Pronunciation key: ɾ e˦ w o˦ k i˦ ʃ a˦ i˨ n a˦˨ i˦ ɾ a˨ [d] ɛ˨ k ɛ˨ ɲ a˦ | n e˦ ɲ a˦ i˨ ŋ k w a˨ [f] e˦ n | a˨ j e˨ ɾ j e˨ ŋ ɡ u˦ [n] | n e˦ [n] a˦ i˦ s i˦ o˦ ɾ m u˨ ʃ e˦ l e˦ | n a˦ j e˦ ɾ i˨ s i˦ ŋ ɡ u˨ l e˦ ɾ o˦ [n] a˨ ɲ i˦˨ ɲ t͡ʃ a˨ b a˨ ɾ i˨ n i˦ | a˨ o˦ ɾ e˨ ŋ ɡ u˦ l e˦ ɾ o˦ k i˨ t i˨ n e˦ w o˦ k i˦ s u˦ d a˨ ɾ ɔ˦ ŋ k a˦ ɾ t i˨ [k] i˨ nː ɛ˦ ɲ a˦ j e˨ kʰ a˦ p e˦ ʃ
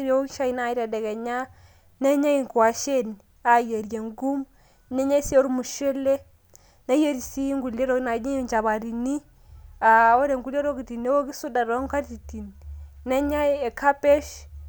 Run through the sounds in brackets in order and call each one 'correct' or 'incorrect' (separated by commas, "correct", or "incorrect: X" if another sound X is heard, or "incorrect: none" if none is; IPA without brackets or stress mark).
correct, incorrect: ʃ, incorrect: m, incorrect: ɲ, correct, incorrect: t